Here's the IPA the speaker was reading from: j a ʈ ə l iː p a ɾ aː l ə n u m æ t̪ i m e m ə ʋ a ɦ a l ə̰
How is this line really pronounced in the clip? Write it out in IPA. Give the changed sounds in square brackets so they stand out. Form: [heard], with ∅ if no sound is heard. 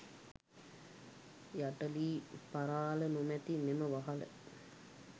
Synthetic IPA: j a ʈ ə l iː p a ɾ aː l ə n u m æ t̪ i m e m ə ʋ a ɦ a l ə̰